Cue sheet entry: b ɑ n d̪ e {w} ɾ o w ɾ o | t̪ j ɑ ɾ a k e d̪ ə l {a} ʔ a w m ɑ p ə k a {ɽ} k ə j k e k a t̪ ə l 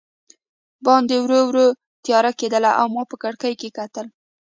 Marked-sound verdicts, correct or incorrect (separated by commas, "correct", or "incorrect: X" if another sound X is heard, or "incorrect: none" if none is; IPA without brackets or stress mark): correct, correct, correct